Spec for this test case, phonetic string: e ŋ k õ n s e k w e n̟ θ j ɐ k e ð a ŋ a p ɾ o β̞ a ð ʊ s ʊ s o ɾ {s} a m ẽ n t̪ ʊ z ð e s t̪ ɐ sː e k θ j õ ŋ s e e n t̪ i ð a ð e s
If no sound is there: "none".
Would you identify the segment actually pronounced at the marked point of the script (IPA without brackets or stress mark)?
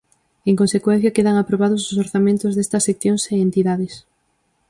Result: θ